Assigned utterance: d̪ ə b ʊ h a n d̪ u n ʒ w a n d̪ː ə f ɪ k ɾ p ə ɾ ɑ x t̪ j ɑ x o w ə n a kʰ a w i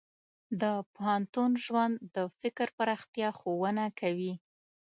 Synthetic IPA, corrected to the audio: d̪ ə p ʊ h a n t̪ u n ʒ w a n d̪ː ə f ɪ k ɾ p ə ɾ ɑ x t̪ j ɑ x o w ə n a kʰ a w i